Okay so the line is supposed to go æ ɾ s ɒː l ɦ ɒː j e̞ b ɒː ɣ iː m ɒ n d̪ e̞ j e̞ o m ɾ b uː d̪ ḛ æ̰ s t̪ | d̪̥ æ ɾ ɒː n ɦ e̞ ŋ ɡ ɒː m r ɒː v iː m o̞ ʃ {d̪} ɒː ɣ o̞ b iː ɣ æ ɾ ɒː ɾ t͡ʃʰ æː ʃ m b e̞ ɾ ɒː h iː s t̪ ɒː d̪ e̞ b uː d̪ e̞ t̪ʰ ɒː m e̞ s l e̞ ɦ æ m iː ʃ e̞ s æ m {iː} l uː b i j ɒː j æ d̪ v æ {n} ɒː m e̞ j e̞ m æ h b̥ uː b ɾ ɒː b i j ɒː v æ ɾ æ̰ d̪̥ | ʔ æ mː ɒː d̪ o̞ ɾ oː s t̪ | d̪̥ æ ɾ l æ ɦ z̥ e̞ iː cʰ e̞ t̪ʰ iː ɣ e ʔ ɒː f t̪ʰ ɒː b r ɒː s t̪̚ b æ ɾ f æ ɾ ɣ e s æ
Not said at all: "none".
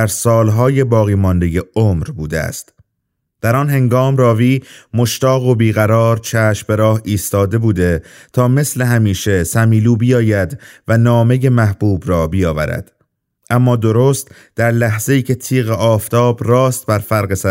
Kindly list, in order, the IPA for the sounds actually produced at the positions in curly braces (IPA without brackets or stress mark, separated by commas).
t̪, iː, n